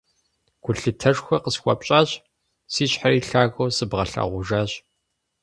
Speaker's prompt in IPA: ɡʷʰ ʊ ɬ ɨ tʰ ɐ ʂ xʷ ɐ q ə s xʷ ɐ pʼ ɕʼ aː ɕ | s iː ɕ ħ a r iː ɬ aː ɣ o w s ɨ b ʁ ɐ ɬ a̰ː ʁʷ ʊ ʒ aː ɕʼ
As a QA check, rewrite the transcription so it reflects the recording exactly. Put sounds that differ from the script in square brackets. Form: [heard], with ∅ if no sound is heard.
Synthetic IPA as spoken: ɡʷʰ ʊ ɬ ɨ tʰ ɐ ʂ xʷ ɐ q ə s xʷ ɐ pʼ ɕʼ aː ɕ | s iː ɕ ħ a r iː ɬ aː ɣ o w s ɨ b ʁ ɐ ɬ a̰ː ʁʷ ʊ ʒ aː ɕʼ